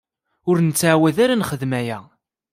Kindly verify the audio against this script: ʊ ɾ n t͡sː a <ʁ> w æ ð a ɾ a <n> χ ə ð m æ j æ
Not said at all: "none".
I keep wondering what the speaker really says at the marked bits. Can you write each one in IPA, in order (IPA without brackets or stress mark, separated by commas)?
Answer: ʕ, n